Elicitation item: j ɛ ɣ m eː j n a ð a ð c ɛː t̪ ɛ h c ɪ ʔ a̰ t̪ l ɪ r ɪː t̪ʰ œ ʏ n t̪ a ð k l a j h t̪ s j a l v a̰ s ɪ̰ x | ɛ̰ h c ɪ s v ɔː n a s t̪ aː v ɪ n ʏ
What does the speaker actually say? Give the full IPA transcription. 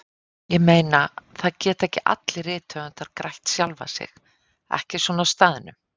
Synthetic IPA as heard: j ɛ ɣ m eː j n a θ a ð c ɛː t̪ ɛ h c ɪ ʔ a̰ t̪ l ɪ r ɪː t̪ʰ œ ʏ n t̪ a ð k ɾ a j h t̪ s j a l v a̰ s ɪ̰ x | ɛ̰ h c ɪ s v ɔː n a s t̪ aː ð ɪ n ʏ

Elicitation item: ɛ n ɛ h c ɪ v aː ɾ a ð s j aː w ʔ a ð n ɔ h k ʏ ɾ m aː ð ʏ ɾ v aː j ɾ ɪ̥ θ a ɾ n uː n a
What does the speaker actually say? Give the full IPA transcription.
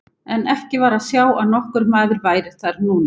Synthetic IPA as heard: ɛ n ɛ h c ɪ v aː ɾ a ð s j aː w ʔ a ð n ɔ h k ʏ ɾ m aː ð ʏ ɾ v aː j ɾ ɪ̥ θ a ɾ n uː n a

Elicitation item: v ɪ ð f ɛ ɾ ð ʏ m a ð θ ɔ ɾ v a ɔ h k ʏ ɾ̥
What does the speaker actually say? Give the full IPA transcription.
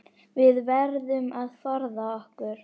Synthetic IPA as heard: v ɪ ð v ɛ ɾ ð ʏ m a ð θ ɔ ɾ ð a ɔ h k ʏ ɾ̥

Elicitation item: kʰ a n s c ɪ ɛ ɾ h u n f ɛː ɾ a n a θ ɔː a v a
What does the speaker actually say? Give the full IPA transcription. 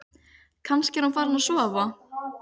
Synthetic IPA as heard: kʰ a n s c ɪ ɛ ɾ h u n f aː ɾ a n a s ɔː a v a

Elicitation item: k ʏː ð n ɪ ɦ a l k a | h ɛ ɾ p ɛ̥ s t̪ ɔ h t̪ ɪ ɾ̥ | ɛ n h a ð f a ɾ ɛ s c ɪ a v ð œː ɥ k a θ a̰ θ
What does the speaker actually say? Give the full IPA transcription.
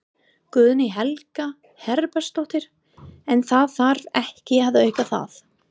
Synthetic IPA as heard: k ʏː ð n ɪ ɦ ɛ l k a | h ɛ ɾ p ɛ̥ s t̪ ɔ h t̪ ɪ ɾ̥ | ɛ n θ a ð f a ɾ ɛ h c ɪ a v ð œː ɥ k a θ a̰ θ

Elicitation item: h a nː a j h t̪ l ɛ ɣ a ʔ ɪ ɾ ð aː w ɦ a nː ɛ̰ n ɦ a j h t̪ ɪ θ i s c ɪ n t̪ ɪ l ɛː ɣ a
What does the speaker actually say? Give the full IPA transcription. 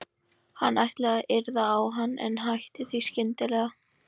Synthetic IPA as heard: h a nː a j h t̪ l ɛ ɣ a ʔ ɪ ɾ ð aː w ɦ a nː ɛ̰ n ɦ a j h t̪ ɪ θ i s c ɪ n t̪ ɪ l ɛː ɣ a

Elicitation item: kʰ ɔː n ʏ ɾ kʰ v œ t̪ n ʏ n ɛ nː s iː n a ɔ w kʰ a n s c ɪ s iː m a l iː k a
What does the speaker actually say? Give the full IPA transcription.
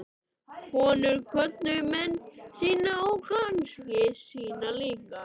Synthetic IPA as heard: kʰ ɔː n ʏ ɾ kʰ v œ t̪ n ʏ m ɛ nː s iː n a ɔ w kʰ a n s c ɪ s iː n a l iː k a

